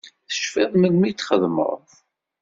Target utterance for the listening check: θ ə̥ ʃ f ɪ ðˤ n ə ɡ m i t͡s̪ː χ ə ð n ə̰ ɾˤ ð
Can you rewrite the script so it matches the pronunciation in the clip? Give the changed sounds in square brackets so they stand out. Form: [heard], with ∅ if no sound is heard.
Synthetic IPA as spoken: θ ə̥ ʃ f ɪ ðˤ [m] ə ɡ m i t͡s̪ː χ ə ð [m] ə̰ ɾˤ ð